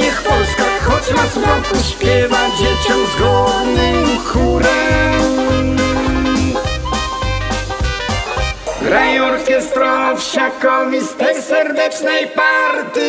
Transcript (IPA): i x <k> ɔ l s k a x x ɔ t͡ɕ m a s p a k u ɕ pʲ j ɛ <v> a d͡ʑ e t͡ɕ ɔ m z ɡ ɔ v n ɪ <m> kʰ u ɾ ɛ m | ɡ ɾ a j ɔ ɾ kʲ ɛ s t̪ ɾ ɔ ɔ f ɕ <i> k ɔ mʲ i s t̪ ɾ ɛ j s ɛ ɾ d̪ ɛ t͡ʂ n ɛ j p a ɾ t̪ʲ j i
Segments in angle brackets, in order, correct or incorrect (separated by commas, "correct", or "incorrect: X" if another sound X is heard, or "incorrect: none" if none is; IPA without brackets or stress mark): incorrect: p, correct, correct, incorrect: a